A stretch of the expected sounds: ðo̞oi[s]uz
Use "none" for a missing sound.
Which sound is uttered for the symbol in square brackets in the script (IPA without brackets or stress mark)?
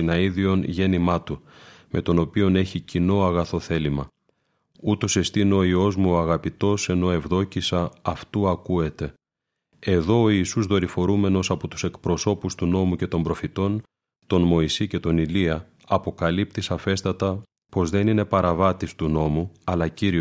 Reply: s